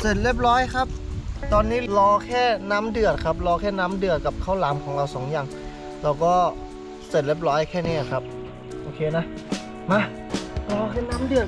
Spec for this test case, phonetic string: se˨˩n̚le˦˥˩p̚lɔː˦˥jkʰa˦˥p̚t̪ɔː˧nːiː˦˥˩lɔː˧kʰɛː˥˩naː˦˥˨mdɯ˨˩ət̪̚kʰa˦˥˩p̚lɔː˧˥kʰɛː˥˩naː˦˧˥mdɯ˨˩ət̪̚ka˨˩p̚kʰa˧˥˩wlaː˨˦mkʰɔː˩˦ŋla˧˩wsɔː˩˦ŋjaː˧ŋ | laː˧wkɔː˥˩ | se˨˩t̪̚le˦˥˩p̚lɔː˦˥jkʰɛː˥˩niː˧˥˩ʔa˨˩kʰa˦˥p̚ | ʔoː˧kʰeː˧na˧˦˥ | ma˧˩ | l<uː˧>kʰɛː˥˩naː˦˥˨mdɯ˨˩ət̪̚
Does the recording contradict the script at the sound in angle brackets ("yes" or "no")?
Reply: yes